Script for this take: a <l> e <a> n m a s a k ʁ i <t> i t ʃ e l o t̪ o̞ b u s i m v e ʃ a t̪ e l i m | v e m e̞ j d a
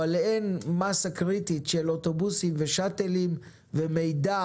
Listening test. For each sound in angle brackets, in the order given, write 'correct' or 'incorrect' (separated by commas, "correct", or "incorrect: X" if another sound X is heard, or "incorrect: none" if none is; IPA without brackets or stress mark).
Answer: correct, incorrect: e, correct